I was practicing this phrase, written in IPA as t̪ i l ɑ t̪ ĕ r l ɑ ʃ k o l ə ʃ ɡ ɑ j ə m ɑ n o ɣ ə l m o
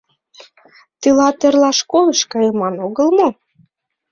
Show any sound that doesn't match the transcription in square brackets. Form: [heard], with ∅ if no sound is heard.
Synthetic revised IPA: t̪ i l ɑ t̪ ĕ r l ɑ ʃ k o l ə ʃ [k] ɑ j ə m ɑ n o ɣ ə l m o